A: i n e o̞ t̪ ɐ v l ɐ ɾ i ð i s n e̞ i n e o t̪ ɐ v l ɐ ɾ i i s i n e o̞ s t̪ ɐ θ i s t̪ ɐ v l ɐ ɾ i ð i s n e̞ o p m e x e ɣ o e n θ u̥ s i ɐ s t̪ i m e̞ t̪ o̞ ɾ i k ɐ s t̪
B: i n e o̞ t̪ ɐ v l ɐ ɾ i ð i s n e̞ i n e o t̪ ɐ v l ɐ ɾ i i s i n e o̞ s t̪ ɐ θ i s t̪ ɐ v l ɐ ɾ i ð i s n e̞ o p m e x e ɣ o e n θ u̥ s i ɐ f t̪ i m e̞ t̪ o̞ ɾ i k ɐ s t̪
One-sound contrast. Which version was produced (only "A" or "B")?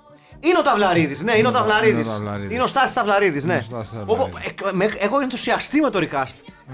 A